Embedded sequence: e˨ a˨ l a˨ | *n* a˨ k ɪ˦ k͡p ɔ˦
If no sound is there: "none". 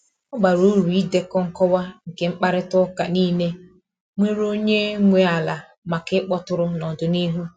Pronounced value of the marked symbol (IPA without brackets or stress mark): m